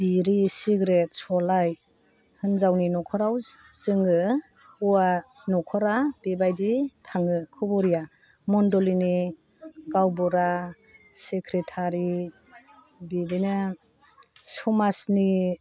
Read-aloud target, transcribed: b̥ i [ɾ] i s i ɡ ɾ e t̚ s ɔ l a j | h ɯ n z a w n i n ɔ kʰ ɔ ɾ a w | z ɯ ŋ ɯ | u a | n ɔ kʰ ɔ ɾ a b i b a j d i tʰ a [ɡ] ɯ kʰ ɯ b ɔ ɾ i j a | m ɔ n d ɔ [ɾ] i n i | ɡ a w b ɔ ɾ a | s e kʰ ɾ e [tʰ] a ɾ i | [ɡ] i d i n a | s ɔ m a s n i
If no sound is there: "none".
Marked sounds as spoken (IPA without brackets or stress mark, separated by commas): ɾ, ŋ, l, tʰ, b